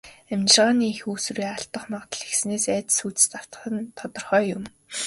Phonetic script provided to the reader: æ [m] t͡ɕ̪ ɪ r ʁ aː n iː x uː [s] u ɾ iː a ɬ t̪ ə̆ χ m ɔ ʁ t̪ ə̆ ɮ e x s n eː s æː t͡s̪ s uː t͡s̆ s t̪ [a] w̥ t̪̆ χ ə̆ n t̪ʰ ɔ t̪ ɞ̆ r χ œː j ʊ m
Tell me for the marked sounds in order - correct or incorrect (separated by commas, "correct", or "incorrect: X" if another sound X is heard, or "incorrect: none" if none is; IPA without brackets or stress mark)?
correct, correct, correct